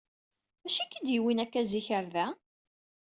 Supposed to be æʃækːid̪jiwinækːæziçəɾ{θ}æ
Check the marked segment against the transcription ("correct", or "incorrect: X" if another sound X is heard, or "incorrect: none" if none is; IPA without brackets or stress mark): incorrect: ð